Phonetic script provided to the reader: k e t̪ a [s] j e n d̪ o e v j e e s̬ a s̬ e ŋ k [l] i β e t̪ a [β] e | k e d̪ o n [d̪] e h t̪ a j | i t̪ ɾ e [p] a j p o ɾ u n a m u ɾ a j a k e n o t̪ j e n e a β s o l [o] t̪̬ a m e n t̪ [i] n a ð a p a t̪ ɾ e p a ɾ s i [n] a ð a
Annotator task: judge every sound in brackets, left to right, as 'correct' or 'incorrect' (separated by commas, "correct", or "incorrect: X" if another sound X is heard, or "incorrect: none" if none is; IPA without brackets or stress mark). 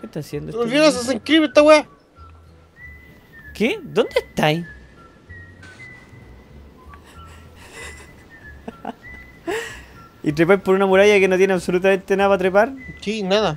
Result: correct, incorrect: ɾ, incorrect: w, correct, correct, incorrect: u, incorrect: e, correct